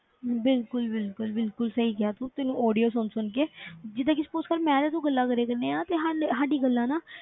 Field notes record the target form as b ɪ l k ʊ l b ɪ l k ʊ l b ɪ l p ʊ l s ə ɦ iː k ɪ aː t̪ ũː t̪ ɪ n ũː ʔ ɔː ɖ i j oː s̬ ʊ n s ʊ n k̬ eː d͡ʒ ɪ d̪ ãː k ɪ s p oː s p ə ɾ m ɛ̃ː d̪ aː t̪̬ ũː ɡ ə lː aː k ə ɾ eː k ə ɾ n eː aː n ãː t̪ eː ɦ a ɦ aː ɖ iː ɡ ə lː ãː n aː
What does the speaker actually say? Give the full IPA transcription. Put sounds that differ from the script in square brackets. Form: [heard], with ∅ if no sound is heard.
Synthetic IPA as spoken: b ɪ l k ʊ l b ɪ l k ʊ l b ɪ l [k] ʊ l s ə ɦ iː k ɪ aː t̪ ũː t̪ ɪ n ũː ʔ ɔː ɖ i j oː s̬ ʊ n s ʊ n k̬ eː d͡ʒ ɪ d̪ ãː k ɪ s p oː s [k] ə ɾ m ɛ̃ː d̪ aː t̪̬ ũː ɡ ə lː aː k ə ɾ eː k ə ɾ n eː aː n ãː t̪ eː ɦ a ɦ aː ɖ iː ɡ ə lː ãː n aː